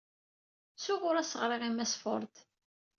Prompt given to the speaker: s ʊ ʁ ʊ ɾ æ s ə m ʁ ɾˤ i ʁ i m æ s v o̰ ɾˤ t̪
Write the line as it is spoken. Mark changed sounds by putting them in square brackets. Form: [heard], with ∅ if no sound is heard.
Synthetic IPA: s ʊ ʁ ʊ ɾ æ s ə [∅] ʁ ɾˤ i ʁ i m æ s [f] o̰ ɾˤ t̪